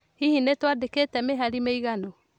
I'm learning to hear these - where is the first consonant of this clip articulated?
throat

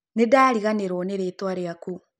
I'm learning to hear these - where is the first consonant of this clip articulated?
tongue tip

